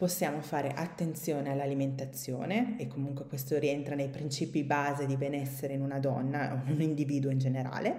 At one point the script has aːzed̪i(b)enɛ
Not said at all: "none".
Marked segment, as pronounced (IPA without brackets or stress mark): b